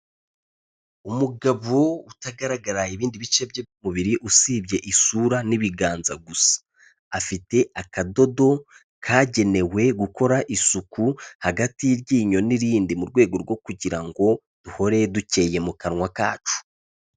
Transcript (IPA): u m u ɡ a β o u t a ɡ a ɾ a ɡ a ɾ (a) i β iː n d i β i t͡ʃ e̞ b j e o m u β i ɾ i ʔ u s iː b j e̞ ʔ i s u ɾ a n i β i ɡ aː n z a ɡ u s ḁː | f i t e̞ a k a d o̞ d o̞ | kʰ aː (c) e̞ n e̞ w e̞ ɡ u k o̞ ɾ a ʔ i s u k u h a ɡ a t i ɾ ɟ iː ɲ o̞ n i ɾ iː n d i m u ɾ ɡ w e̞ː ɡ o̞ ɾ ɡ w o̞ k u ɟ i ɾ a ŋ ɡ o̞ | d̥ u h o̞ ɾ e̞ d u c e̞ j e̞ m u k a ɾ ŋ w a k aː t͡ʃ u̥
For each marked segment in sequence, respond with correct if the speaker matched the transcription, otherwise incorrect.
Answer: correct, incorrect: ɟ

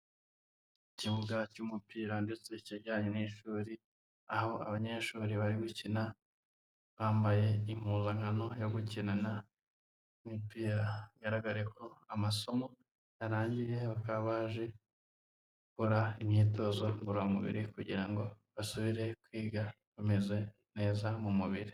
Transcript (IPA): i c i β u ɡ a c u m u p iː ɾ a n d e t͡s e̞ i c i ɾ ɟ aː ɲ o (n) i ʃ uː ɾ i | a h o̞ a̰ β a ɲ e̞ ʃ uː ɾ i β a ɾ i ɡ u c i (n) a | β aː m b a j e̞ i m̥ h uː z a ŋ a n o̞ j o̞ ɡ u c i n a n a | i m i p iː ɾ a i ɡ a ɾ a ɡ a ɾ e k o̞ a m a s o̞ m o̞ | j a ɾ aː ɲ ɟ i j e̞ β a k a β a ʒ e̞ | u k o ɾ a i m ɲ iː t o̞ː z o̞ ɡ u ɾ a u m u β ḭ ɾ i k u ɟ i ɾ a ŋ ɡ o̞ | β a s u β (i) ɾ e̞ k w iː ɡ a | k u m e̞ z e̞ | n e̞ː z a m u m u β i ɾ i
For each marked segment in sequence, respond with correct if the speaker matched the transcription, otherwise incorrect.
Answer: correct, correct, correct

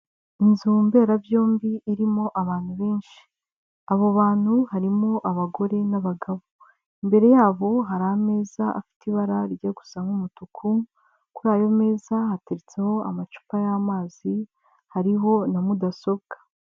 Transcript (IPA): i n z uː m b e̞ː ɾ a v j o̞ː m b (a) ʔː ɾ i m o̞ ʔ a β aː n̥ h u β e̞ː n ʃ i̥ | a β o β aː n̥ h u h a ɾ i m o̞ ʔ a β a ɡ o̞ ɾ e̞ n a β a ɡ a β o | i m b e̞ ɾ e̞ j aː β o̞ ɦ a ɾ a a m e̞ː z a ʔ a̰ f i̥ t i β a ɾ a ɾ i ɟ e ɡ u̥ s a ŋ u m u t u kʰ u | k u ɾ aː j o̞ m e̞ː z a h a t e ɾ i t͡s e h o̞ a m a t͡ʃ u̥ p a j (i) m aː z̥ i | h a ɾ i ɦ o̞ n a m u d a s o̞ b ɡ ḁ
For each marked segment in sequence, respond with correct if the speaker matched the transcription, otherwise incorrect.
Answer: incorrect: i, incorrect: a

